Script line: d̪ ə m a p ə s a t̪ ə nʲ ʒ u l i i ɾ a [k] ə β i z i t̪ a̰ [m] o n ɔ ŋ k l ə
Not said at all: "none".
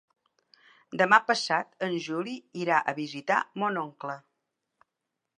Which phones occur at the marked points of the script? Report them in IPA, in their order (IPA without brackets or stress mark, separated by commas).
ʔ, m